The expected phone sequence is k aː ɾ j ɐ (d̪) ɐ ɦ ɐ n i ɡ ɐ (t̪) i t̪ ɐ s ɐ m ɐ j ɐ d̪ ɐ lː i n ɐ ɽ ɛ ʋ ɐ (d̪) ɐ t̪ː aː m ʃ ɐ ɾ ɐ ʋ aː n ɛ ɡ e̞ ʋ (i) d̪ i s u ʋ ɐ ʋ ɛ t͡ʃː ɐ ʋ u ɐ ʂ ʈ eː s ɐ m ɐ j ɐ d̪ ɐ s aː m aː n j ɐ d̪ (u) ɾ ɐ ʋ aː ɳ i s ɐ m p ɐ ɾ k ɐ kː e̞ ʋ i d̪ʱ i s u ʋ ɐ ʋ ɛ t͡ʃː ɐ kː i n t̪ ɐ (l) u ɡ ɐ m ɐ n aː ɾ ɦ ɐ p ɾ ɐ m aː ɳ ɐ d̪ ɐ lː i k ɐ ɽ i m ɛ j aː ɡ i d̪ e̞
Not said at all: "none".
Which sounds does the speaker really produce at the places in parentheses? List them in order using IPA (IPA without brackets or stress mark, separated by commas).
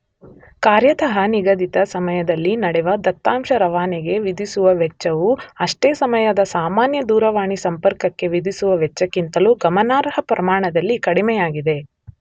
t̪, d̪, d̪, i, uː, l